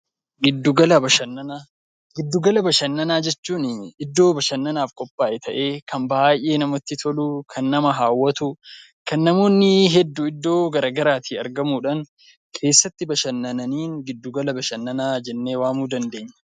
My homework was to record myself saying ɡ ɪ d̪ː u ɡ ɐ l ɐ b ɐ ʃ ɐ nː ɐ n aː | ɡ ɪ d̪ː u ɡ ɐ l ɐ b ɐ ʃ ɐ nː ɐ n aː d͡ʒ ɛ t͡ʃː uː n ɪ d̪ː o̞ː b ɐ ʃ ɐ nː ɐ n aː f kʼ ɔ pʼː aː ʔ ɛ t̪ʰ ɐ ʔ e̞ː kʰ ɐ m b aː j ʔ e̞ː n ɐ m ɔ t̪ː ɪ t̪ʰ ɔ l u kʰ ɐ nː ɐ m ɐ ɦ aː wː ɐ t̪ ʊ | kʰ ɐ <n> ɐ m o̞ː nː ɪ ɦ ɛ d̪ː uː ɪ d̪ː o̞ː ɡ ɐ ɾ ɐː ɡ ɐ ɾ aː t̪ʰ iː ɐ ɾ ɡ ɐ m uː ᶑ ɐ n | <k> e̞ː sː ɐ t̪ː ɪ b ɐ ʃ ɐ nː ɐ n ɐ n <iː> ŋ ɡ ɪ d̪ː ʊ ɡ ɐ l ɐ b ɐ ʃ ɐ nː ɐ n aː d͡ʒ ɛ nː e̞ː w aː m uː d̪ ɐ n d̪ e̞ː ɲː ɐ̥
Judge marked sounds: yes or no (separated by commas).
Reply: no, no, yes